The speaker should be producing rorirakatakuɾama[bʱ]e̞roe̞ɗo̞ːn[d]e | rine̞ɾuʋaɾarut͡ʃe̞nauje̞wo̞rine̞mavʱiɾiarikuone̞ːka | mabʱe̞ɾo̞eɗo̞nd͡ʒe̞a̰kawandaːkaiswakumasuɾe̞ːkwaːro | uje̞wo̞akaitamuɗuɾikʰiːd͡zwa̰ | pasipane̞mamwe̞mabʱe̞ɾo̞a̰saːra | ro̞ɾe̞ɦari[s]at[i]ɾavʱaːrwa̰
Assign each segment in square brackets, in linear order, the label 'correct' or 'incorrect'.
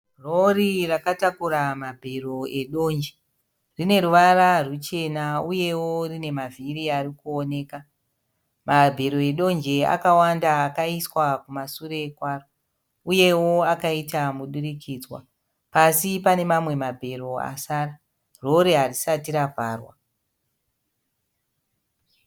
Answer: correct, incorrect, correct, correct

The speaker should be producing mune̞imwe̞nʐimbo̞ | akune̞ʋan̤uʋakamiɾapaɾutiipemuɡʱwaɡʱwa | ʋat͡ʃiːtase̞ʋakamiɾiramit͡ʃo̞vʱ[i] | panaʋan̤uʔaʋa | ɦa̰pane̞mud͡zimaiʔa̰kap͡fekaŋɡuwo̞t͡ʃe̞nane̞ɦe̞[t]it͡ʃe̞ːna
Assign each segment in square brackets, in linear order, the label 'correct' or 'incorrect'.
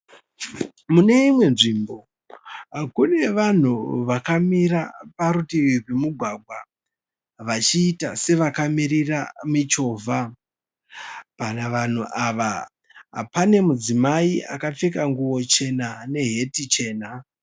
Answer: incorrect, correct

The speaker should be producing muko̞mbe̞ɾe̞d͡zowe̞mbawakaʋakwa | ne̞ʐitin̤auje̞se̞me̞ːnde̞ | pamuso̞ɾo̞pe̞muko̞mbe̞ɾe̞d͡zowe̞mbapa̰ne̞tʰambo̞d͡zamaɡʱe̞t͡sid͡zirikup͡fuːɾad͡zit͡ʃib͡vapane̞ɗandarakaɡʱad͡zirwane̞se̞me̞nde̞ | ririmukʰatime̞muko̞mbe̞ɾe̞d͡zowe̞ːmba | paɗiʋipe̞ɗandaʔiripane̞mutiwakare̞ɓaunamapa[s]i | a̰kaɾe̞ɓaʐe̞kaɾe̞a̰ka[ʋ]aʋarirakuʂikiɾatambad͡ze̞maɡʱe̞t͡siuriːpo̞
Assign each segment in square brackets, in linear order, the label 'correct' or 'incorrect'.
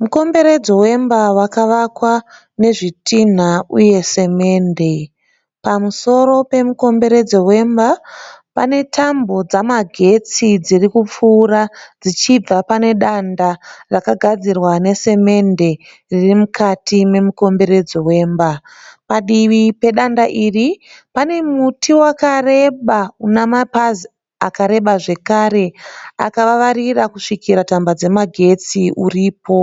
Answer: incorrect, correct

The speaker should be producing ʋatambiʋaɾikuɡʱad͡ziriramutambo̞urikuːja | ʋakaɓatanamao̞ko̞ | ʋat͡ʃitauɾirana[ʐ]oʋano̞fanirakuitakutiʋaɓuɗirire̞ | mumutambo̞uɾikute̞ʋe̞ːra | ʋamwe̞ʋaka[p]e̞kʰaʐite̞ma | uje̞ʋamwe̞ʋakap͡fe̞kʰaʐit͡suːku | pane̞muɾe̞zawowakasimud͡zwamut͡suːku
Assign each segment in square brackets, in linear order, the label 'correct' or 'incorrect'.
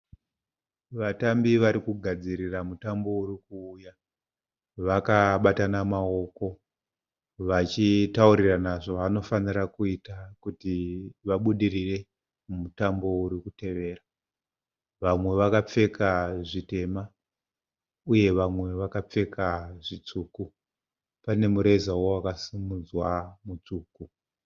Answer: correct, incorrect

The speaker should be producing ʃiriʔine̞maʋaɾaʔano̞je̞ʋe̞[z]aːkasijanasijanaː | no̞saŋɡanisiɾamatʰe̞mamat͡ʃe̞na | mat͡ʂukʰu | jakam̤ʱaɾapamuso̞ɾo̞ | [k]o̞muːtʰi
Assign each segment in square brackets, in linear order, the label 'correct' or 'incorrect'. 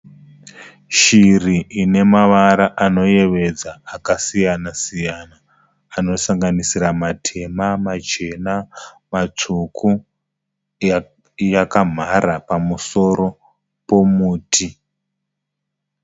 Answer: incorrect, incorrect

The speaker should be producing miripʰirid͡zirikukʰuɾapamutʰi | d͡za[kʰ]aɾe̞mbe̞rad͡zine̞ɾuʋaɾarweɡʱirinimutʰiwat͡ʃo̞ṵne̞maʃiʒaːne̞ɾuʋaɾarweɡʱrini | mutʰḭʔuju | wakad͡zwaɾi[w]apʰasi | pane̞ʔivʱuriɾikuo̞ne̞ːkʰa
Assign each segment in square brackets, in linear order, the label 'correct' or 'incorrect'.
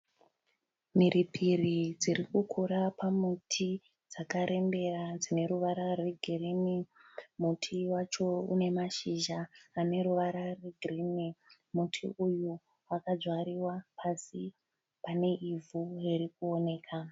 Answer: incorrect, correct

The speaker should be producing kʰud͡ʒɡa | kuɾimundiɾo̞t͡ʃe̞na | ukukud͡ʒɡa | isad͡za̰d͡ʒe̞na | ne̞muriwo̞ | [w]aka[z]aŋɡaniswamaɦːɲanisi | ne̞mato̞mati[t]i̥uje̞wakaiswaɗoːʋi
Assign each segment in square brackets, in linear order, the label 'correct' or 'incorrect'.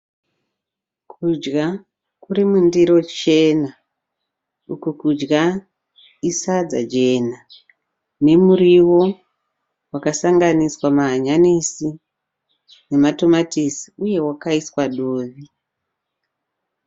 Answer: correct, incorrect, incorrect

